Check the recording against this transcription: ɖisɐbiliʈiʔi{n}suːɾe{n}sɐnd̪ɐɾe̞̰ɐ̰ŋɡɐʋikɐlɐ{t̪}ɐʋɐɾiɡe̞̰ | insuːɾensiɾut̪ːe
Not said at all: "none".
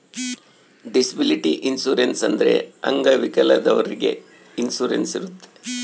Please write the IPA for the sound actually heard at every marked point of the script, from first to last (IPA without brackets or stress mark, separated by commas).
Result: n, n, d̪